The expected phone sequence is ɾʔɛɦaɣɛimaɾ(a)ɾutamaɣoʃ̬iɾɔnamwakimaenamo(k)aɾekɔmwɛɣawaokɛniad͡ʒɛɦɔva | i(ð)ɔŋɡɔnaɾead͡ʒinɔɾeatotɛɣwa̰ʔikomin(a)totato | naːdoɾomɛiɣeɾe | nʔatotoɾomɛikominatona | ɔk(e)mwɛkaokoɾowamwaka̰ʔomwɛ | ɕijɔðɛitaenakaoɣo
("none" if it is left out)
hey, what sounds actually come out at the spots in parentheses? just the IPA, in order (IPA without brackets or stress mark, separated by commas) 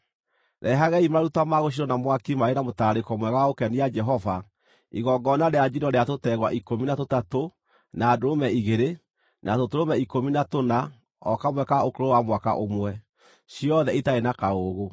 a, t, ɣ, a, a